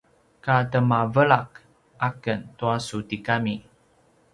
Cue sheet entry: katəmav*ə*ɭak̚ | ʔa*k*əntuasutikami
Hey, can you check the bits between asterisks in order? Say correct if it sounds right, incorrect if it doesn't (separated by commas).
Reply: correct, correct